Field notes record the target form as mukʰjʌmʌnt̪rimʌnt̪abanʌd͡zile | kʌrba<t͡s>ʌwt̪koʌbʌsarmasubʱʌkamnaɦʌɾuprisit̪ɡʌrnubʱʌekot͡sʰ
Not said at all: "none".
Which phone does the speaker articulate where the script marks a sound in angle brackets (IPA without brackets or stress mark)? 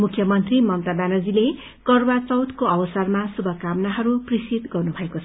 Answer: t͡s